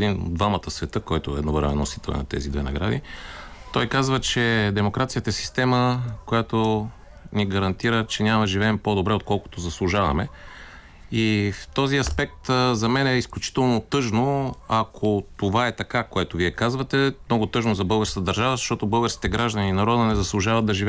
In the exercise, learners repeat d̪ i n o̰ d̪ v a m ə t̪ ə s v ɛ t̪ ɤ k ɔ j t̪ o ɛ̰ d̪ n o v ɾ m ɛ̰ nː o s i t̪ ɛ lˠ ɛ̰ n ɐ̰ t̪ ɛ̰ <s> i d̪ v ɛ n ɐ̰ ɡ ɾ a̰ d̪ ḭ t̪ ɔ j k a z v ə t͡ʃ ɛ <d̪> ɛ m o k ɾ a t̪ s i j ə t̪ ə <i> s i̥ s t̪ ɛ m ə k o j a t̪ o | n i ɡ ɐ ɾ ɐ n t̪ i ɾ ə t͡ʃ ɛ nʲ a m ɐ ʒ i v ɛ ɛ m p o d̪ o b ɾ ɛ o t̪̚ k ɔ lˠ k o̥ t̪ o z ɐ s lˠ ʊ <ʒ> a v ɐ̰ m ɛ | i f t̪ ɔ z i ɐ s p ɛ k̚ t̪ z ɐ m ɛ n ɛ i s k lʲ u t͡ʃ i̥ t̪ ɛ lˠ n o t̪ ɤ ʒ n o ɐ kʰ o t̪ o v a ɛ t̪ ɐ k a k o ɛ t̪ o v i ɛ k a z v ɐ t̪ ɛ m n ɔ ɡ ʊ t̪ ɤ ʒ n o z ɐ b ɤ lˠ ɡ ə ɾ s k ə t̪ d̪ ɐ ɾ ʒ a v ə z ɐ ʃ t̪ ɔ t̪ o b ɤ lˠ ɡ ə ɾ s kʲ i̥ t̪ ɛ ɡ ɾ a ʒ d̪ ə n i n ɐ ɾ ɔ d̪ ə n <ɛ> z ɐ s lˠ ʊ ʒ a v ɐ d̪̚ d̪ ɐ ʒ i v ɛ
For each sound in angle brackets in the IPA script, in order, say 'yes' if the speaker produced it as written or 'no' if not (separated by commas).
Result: no, yes, no, yes, yes